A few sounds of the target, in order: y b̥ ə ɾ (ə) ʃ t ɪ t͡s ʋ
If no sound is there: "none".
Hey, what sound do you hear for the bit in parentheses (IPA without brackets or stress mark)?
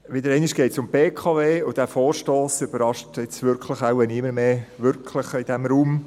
ɑ